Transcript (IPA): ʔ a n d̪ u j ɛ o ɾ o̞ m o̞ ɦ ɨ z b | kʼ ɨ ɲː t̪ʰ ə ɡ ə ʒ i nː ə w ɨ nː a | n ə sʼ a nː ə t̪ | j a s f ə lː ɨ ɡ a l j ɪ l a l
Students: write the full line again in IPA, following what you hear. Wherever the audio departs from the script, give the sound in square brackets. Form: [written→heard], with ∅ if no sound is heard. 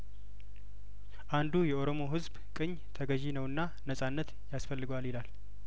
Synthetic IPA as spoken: ʔ a n d̪ u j ɛ o ɾ o̞ m o̞ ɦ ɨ z b | kʼ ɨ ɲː t̪ʰ ə ɡ ə ʒ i [nː→n] ə w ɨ nː a | n ə sʼ a nː ə t̪ | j a s f ə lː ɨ ɡ a l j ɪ l a l